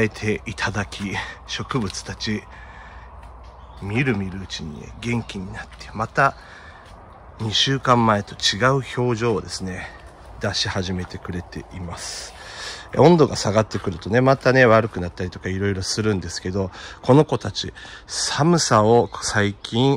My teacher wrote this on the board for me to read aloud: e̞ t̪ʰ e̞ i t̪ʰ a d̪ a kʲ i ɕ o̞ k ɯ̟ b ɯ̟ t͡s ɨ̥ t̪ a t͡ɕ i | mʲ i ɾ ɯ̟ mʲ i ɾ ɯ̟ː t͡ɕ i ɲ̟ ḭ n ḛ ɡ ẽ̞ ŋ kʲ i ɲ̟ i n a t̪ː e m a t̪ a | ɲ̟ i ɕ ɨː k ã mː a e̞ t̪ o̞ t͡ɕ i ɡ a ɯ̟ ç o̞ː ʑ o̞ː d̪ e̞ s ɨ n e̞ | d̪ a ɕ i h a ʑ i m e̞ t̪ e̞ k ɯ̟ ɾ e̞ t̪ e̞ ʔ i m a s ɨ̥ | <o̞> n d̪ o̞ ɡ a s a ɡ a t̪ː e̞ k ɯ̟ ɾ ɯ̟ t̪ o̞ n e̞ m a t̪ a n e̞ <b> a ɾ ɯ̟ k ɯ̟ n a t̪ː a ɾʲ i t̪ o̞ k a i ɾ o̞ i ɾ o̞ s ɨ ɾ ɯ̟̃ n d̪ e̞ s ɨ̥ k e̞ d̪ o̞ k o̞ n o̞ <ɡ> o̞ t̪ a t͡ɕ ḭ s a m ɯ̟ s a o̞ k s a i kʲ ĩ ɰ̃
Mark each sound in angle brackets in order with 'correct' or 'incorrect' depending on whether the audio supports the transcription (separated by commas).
incorrect, incorrect, incorrect